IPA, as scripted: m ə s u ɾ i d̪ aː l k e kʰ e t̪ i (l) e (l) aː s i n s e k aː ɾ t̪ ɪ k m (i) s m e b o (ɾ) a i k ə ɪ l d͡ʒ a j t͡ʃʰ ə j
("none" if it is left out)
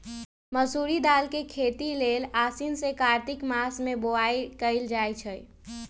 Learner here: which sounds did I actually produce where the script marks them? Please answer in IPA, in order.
l, l, a, none

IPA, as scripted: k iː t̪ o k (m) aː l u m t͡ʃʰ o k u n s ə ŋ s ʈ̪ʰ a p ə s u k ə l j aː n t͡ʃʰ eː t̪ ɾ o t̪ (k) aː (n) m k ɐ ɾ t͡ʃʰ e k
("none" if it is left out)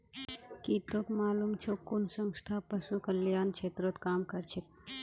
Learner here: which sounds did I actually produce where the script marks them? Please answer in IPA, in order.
m, k, none

